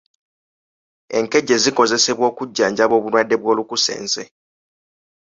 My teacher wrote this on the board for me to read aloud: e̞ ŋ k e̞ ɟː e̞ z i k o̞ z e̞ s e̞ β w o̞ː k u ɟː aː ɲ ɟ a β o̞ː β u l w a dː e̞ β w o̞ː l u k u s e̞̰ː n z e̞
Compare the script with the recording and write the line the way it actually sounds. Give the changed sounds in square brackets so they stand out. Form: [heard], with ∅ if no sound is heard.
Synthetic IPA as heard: e̞ ŋ k e̞ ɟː e̞ z i k o̞ z e̞ s e̞ β w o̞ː k u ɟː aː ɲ ɟ a β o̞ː β u l w a dː e̞ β w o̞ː l u k u s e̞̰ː n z e̞